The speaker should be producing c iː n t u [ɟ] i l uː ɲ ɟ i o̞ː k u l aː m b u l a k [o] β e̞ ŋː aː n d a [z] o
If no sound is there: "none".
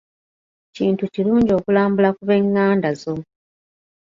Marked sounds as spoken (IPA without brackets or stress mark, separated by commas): c, u, z